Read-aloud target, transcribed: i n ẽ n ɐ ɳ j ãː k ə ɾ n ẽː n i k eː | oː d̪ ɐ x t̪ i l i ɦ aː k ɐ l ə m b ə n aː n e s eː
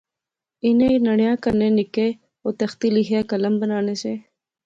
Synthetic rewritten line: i n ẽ n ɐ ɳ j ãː k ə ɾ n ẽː n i k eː | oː t̪ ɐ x t̪ i l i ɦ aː k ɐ l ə m b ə n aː n e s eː